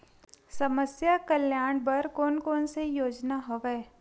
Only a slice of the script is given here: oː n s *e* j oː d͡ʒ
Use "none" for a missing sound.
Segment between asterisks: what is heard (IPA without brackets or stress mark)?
e